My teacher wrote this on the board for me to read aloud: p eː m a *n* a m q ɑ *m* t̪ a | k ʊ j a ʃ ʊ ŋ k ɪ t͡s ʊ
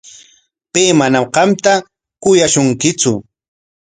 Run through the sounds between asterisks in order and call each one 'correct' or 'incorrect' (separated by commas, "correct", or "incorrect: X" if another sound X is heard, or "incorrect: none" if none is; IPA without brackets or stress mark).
correct, correct